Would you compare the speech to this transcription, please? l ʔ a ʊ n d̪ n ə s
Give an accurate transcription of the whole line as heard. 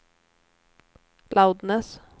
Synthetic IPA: l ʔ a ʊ d̪ n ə s